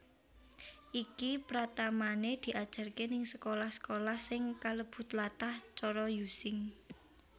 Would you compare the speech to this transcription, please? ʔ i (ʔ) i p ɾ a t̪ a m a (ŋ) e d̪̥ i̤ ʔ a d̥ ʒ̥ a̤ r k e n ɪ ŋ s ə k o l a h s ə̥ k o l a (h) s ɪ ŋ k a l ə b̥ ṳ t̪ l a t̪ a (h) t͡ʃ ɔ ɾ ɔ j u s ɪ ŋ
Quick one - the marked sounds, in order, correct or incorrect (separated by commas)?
incorrect, incorrect, correct, correct